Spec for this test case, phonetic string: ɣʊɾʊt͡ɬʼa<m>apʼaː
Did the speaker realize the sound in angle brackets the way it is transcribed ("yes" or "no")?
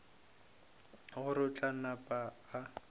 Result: no